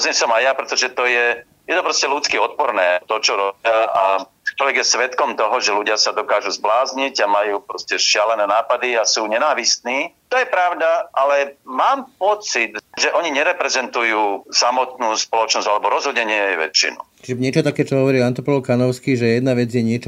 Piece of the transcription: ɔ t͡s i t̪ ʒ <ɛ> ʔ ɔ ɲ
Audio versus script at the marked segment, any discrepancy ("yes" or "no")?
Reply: no